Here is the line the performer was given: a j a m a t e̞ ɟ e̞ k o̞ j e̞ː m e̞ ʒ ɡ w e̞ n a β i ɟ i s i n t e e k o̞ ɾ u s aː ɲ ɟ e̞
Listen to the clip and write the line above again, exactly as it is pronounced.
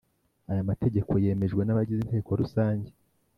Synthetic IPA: a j a m a t e̞ ɟ e̞ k o̞ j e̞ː m e̞ ʒ ɡ w e̞ n a β a ɟ i z i n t e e k o̞ ɾ u s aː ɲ ɟ e̞